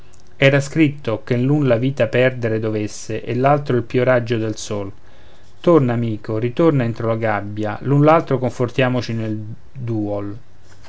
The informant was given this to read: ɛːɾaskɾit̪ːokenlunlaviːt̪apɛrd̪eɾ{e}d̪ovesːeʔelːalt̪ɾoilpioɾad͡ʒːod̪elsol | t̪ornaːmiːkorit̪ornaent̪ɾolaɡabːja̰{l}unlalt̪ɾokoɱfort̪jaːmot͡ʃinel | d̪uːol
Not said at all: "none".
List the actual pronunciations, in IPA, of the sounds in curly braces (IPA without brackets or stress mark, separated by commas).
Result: e, l